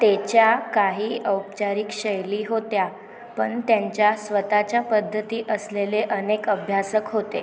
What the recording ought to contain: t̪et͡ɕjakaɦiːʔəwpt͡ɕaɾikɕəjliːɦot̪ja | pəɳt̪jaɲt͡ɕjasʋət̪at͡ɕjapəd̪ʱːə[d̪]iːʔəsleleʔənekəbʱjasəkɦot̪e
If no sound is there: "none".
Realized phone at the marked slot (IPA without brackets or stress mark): t̪